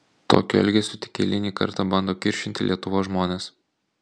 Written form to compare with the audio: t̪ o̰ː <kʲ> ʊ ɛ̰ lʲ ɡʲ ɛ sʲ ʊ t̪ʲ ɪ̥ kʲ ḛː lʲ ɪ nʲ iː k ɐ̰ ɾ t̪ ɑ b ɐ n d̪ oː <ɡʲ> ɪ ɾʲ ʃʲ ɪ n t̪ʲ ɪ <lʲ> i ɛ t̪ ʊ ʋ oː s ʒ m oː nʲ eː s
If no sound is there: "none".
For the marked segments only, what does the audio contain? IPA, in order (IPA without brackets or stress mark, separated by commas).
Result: kʲ, kʲ, lʲ